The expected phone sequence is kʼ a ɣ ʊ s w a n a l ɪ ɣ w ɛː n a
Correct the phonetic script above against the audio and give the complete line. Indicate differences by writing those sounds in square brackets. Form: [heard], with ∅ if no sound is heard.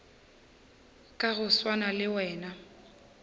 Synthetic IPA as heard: kʼ a ɣ ʊ s w a n a l ɪ [∅] w ɛː n a